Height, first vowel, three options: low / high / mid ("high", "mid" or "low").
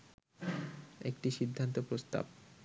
mid